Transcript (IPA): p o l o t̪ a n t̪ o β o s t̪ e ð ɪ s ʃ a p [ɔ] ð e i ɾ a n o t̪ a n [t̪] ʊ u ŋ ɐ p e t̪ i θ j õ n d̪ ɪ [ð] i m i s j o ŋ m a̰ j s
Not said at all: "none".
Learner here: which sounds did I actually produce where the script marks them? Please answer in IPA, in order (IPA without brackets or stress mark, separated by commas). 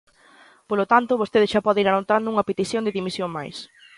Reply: ɔ, d̪, ð